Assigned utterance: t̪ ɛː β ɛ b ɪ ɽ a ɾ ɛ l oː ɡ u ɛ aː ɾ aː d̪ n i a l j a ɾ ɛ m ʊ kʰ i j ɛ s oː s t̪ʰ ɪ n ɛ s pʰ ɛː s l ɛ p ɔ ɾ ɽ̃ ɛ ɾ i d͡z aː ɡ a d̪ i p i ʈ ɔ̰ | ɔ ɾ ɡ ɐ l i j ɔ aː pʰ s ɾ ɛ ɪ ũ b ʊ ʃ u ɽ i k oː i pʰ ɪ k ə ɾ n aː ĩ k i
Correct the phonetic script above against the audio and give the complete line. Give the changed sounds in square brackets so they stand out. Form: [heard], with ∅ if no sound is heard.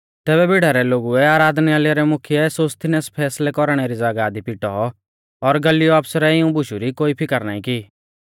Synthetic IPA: t̪ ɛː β ɛ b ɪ ɽ a ɾ ɛ l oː ɡ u ɛ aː ɾ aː d̪ n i a l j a ɾ ɛ m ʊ kʰ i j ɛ s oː s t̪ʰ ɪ n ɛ s pʰ ɛː s l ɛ [k] ɔ ɾ ɽ̃ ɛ ɾ i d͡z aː ɡ a d̪ i p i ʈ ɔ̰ | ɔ ɾ ɡ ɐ l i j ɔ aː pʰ s ɾ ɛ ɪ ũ b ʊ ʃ u [ɾ] i k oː i pʰ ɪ k ə ɾ n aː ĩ k i